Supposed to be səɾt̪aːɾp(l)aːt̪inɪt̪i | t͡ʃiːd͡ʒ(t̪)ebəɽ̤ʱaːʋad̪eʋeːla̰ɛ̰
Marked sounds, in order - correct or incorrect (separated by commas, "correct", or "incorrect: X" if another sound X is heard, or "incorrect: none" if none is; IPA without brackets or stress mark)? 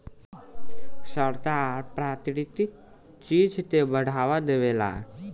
incorrect: ɾ, correct